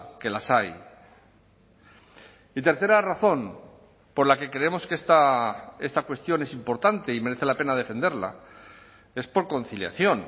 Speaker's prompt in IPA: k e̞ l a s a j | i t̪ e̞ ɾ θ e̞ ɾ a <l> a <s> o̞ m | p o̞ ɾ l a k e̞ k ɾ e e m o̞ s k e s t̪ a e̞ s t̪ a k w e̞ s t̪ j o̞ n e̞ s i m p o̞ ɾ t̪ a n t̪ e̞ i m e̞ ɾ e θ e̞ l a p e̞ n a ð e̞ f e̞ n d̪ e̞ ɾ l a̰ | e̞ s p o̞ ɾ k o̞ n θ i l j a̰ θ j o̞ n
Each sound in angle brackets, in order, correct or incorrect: incorrect, incorrect

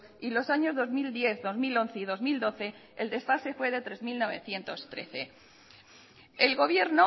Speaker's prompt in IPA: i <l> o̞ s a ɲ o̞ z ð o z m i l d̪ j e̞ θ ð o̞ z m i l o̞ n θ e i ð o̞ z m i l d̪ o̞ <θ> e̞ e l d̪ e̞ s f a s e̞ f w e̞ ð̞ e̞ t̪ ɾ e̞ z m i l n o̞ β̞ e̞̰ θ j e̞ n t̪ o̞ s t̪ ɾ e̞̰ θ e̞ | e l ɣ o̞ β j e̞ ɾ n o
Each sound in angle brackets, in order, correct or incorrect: correct, correct

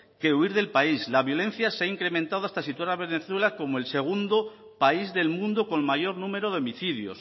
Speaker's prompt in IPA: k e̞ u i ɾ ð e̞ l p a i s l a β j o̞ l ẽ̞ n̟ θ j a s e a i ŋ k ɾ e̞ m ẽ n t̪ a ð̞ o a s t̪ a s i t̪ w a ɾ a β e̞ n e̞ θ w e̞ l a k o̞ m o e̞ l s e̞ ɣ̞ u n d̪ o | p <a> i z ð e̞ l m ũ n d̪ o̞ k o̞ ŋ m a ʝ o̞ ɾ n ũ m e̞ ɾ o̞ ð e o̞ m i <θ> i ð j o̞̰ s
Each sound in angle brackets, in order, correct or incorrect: correct, correct

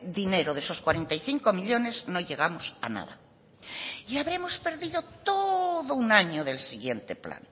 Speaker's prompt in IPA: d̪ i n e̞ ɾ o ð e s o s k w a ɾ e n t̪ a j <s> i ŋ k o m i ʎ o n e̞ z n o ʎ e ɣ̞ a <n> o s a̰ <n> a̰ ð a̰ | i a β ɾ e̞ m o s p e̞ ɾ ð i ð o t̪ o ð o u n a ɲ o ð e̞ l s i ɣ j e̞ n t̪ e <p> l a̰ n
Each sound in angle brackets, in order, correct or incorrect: incorrect, incorrect, correct, correct

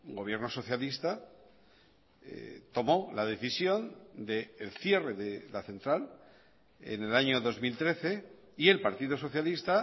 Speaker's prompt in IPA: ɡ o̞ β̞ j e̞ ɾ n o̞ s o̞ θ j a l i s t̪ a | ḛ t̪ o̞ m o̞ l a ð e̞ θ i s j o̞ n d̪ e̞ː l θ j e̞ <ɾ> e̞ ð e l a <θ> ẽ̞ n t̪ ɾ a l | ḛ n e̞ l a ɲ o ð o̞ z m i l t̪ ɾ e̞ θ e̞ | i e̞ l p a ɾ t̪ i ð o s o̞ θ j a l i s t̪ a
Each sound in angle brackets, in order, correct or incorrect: incorrect, correct

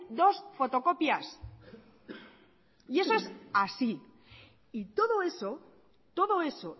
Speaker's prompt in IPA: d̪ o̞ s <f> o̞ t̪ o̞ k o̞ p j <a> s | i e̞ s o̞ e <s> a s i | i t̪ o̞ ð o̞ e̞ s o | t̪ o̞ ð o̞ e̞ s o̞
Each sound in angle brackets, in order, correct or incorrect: correct, correct, correct

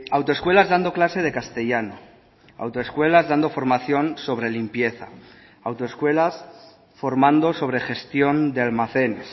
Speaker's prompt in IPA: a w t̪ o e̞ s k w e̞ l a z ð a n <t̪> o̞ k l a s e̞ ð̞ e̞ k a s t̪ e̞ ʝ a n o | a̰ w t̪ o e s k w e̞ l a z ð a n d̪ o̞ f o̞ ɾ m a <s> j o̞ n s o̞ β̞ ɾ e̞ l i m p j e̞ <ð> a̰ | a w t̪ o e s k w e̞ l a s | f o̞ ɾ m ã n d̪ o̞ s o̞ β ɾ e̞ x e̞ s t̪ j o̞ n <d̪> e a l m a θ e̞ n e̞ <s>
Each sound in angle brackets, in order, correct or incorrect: incorrect, incorrect, incorrect, correct, correct

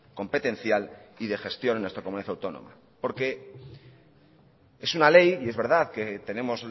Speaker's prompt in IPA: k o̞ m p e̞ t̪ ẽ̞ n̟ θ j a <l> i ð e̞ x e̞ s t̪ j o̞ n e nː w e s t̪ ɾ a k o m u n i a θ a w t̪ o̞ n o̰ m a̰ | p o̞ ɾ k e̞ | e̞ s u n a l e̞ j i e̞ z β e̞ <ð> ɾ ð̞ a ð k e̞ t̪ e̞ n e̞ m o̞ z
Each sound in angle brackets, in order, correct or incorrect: correct, incorrect

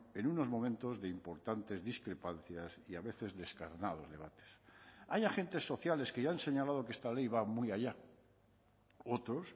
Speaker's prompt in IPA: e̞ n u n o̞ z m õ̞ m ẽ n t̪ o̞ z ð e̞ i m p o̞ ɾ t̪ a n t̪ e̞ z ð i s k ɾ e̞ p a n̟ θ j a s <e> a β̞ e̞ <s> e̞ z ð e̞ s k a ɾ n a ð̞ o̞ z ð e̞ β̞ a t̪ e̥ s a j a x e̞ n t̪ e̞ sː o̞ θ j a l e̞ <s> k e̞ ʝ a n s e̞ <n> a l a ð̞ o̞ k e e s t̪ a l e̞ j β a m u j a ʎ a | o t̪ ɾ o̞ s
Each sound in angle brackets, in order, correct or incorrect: incorrect, incorrect, correct, incorrect

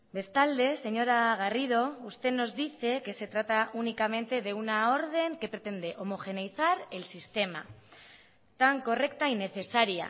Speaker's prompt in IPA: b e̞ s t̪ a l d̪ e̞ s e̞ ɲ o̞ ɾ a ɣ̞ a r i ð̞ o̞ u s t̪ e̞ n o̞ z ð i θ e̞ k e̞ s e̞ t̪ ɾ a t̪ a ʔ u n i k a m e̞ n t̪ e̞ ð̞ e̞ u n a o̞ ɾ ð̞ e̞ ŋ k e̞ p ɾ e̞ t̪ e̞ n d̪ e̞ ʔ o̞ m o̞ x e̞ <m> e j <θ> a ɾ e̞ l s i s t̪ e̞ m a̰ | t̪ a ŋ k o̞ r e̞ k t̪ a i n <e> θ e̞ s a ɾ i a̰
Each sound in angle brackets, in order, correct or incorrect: incorrect, correct, correct

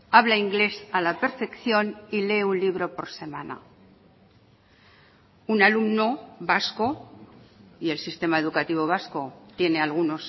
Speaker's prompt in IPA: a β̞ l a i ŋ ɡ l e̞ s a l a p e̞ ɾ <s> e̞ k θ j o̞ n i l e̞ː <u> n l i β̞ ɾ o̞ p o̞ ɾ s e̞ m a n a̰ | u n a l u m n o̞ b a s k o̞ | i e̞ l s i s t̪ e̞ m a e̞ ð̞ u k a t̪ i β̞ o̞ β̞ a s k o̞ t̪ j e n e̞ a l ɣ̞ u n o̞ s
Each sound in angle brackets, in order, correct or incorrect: incorrect, correct

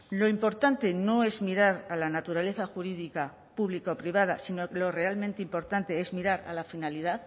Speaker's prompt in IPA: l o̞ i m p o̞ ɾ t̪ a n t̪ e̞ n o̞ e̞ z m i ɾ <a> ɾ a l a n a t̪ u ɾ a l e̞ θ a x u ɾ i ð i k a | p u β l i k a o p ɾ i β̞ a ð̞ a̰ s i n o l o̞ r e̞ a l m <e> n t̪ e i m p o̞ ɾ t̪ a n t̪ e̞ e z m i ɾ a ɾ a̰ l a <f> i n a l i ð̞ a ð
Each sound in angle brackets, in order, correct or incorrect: correct, incorrect, correct

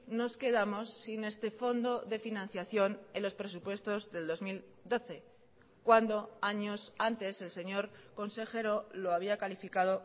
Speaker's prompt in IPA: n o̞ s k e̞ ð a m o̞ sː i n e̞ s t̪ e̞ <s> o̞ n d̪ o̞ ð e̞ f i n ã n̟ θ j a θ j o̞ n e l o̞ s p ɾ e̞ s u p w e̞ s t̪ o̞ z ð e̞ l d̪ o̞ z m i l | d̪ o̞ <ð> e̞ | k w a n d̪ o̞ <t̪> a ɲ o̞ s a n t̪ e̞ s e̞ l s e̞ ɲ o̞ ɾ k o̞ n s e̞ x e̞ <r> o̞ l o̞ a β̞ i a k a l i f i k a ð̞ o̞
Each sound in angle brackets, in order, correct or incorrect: incorrect, incorrect, incorrect, incorrect

